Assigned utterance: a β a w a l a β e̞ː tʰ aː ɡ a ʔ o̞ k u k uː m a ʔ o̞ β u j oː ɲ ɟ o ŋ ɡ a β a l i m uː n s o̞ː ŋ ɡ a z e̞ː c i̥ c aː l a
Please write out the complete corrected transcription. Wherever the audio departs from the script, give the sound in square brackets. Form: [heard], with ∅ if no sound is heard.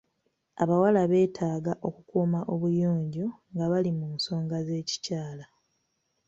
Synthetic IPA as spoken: a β a w a l a β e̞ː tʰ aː ɡ a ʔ o̞ k u k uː m a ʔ o̞ β u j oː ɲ ɟ o ŋ ɡ a β a l i m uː n s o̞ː ŋ ɡ a z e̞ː c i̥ c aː l a